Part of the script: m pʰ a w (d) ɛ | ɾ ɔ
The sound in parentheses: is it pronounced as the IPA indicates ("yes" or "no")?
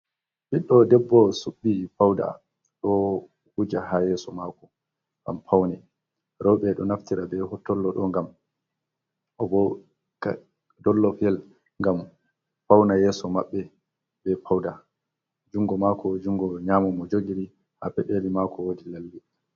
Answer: no